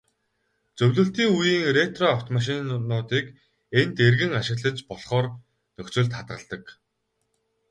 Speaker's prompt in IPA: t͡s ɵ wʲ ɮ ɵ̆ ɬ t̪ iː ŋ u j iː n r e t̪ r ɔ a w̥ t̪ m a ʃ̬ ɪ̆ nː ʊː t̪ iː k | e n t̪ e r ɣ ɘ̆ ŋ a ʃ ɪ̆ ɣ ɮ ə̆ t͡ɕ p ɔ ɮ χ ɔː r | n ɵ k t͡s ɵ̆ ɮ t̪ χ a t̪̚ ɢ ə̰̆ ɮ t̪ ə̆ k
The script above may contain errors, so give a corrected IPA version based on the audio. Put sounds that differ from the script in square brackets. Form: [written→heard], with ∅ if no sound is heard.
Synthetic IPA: t͡s ɵ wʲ ɮ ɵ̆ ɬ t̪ iː ŋ u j iː [n→ŋ] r e t̪ r ɔ a w̥ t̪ m a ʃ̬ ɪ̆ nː ʊː t̪ iː k | e n t̪ e r ɣ ɘ̆ ŋ a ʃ ɪ̆ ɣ ɮ ə̆ t͡ɕ p ɔ ɮ χ ɔː r | n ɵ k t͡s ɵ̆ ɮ t̪ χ a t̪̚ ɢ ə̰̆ ɮ t̪ ə̆ k